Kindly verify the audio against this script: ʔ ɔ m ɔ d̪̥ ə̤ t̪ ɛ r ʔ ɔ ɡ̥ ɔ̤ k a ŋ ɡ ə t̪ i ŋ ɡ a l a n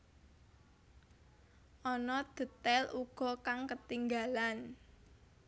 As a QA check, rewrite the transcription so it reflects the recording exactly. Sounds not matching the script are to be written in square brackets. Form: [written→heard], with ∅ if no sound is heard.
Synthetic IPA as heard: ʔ ɔ [m→n] ɔ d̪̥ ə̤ t̪ ɛ [r→l] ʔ [ɔ→u] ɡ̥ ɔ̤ k a ŋ [ɡ→k] ə t̪ i ŋ ɡ a l a n